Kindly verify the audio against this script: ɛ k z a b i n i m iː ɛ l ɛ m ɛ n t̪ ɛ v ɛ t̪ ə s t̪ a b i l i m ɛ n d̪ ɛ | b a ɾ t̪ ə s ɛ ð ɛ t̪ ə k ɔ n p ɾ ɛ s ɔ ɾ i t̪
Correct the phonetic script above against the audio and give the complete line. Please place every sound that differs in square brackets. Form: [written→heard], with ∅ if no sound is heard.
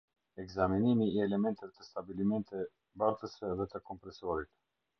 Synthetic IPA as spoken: ɛ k z a [b→m] i n i m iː ɛ l ɛ m ɛ n t̪ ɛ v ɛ t̪ ə s t̪ a b i l i m ɛ n [d̪→t̪] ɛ | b a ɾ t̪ ə s ɛ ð ɛ t̪ ə k ɔ [n→m] p ɾ ɛ s ɔ ɾ i t̪